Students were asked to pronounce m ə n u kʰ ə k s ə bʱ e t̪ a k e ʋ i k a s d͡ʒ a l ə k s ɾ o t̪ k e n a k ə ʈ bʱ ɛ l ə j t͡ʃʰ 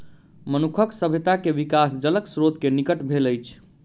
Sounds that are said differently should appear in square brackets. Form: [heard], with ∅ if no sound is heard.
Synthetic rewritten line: m ə n u kʰ ə k s ə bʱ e t̪ a k e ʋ i k a s d͡ʒ [ə] l ə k s ɾ o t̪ k e n [i] k ə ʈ bʱ [e] l ə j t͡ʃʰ